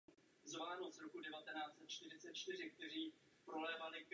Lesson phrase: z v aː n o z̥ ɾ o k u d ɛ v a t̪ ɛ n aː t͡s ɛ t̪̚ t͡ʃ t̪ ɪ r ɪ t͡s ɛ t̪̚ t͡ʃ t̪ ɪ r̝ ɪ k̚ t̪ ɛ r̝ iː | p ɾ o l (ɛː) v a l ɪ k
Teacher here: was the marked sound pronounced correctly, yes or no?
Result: yes